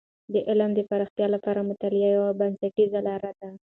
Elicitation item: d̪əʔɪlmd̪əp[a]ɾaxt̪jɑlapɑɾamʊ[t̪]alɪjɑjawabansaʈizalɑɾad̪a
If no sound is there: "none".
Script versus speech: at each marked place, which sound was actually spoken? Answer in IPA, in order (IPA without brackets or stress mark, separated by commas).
a, t̪